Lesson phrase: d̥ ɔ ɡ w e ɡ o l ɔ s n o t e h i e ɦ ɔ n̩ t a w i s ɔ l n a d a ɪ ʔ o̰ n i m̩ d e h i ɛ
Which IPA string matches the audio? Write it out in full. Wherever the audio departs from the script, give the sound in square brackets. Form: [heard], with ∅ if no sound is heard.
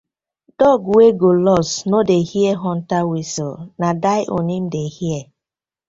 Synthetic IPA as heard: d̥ ɔ ɡ w e ɡ o l ɔ s n o [d] e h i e ɦ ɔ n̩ t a w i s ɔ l n a d a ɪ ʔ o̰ n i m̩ d e h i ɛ